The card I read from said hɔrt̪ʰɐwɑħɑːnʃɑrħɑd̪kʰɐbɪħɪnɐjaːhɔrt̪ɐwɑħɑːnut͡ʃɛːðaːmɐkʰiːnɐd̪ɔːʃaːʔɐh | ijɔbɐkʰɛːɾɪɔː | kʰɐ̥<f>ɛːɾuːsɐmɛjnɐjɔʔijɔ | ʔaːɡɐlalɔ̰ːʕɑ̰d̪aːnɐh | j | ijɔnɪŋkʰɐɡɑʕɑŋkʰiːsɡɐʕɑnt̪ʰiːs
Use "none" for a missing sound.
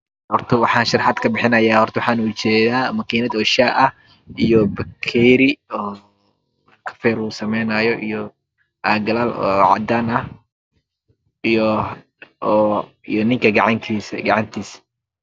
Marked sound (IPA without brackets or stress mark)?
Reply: f